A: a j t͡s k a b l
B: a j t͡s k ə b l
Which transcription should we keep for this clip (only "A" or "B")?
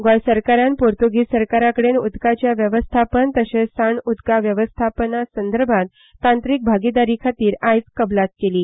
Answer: B